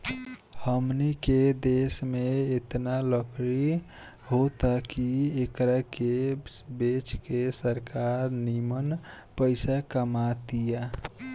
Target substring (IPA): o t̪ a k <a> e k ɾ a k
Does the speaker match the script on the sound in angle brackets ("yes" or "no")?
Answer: no